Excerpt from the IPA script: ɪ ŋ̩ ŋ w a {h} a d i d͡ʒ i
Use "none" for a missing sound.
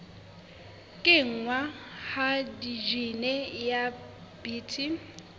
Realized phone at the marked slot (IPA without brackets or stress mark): h